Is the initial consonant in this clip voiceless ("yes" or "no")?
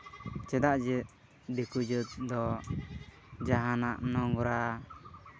yes